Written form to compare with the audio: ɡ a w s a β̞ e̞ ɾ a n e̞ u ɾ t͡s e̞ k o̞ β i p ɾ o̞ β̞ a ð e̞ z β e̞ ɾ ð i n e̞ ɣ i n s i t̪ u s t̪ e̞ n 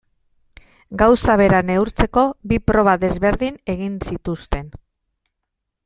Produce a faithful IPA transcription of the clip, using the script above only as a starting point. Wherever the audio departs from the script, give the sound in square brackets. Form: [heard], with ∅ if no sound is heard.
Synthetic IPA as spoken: ɡ a w s a β̞ e̞ ɾ a n e̞ u ɾ t͡s e̞ k o̞ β i p ɾ o̞ β̞ a ð e̞ z β e̞ ɾ ð i n e̞ ɣ i n s i t̪ u s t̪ e̞ n